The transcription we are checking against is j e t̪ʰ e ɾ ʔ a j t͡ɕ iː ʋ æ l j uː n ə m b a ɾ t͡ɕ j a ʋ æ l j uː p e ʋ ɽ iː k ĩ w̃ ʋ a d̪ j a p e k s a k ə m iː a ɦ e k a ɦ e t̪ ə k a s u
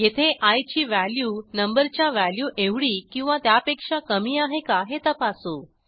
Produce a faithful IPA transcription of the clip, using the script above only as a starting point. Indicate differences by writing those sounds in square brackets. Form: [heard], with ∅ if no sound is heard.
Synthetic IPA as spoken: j e t̪ʰ e [∅] ʔ a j t͡ɕ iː ʋ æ l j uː n ə m b [ə] ɾ t͡ɕ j a ʋ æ l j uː [ʔ] e ʋ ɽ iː k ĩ w̃ ʋ a [t̪] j a p e k [ʂ] a k ə m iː a ɦ e k a ɦ e t̪ ə [p] a s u